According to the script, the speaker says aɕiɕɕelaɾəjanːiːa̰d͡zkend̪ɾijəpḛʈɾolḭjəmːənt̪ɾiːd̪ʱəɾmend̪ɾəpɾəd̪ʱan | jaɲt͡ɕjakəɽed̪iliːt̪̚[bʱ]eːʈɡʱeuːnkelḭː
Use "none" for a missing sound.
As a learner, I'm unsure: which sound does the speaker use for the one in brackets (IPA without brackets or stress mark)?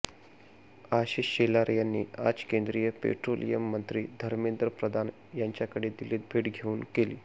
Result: bʱ